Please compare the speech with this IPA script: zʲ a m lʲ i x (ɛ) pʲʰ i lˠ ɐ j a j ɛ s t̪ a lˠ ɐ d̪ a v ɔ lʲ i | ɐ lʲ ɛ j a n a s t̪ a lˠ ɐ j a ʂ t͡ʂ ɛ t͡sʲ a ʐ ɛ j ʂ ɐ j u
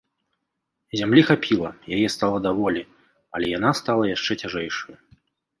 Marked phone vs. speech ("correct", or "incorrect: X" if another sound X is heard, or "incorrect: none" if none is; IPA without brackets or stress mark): incorrect: a